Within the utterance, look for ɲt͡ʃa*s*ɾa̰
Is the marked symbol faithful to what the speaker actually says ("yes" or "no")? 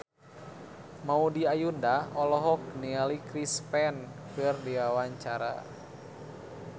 no